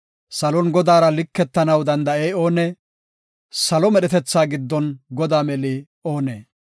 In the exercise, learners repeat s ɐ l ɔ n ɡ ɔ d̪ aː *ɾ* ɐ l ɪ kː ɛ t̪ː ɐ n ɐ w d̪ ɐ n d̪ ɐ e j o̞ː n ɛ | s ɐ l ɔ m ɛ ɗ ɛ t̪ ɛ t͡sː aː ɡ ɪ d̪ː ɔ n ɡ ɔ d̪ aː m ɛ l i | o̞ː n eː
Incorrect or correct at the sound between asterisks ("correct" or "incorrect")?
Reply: correct